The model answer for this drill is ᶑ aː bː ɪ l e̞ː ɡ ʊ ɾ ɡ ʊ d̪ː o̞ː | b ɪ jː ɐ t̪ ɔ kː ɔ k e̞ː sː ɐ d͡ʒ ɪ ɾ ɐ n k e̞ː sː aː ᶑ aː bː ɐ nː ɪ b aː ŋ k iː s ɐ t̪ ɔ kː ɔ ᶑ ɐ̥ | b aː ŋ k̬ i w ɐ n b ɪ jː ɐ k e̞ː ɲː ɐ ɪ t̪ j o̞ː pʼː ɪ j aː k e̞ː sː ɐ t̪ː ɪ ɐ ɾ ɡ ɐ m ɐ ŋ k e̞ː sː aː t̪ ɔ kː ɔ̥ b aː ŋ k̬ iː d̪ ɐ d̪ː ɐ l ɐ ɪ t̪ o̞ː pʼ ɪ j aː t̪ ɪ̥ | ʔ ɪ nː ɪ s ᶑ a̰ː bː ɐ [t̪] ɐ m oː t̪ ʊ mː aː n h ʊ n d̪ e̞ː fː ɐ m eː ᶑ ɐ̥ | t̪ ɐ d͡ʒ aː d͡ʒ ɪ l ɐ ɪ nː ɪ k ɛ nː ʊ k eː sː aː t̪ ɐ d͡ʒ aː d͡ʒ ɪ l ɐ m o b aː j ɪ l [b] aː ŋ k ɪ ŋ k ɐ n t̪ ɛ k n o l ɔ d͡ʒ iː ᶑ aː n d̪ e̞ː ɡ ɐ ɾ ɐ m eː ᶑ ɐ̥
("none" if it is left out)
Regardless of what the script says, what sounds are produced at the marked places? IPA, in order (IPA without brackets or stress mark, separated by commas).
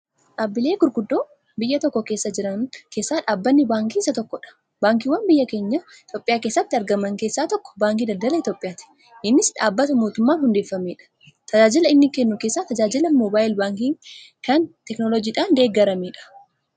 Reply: t̪, b